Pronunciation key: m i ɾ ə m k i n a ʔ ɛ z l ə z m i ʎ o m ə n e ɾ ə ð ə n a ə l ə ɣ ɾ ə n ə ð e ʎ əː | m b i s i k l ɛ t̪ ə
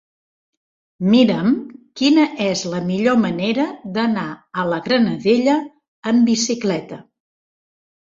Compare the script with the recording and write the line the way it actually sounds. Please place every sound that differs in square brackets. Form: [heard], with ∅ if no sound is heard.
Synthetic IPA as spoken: m i ɾ ə m k i n [ə] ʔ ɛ z l ə [∅] m i ʎ o m ə n e ɾ ə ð ə n a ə l ə ɣ ɾ ə n ə ð e ʎ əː | m b i s i k l ɛ t̪ ə